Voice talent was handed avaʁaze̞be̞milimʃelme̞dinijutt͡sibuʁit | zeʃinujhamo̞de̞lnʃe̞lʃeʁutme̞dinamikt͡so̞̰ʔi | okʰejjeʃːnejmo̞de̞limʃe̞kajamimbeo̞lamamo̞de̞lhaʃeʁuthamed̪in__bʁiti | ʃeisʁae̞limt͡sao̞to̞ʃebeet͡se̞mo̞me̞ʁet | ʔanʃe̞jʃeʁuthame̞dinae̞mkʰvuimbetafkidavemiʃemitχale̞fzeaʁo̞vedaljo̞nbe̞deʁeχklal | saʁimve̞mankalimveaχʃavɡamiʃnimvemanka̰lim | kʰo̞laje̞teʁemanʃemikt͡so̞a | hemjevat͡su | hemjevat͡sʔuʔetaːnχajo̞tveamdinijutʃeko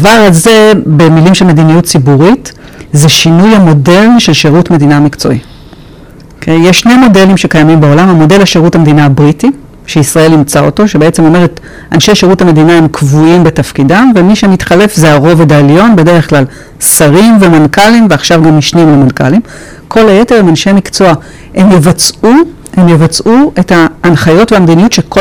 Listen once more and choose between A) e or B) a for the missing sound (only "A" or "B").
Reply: B